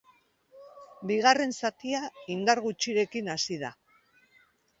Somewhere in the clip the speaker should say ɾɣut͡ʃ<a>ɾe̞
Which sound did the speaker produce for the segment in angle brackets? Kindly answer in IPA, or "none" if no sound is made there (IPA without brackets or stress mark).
i